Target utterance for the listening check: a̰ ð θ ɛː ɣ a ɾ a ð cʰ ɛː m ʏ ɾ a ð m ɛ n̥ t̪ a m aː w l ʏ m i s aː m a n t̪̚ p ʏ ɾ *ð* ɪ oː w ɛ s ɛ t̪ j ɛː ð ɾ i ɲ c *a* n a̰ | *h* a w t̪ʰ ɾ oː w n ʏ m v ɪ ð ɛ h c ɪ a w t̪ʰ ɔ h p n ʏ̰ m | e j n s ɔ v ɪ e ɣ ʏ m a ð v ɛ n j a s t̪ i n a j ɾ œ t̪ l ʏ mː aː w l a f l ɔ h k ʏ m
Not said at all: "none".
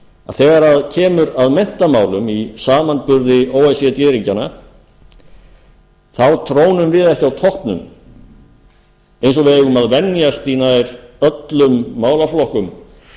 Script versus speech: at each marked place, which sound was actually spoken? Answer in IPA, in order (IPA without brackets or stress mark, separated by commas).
ð, a, θ